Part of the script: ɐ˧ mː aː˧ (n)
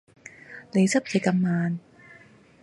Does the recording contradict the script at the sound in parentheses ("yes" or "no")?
no